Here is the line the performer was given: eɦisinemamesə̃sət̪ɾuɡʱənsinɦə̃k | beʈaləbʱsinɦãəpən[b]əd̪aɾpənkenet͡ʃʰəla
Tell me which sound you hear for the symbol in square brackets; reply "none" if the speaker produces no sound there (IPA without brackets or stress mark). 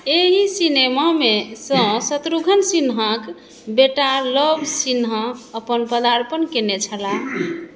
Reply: p